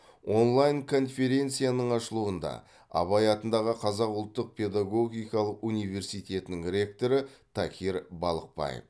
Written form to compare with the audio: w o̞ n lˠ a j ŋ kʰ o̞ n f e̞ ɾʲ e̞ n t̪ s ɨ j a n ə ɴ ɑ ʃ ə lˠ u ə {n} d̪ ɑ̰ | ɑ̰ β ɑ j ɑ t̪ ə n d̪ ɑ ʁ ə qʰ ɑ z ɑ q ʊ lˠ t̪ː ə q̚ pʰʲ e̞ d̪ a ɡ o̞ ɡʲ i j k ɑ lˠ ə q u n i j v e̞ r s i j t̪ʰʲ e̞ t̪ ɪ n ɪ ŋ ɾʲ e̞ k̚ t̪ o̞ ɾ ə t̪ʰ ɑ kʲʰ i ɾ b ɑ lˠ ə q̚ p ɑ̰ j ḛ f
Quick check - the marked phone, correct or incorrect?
correct